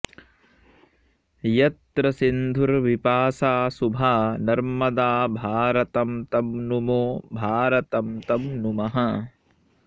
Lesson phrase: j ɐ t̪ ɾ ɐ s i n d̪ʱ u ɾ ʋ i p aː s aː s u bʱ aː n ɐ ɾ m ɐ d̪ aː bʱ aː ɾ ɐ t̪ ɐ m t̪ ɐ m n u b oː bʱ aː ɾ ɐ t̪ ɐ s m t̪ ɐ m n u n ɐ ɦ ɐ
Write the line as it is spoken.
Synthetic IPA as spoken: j ɐ t̪ ɾ ɐ s i n d̪ʱ u ɾ ʋ i p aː s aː s u bʱ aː n ɐ ɾ m ɐ d̪ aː bʱ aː ɾ ɐ t̪ ɐ m t̪ ɐ m n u m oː bʱ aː ɾ ɐ t̪ ɐ m t̪ ɐ m n u m ɐ ɦ ɐ